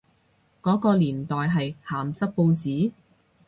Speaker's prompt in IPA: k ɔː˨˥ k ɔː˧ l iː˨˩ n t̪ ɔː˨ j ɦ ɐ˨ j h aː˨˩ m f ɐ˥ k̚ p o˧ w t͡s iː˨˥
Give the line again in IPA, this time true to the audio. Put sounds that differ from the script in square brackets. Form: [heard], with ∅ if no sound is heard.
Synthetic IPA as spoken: k ɔː˨˥ k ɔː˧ l iː˨˩ n t̪ ɔː˨ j ɦ ɐ˨ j h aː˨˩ m [s] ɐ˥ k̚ p o˧ w t͡s iː˨˥